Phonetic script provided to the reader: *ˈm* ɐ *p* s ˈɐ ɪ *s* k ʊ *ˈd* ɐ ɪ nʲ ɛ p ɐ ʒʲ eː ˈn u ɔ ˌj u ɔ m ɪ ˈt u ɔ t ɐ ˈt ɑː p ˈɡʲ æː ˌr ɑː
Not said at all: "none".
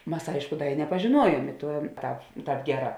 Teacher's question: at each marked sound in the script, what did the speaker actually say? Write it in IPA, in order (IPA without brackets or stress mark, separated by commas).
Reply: m, none, ʃ, d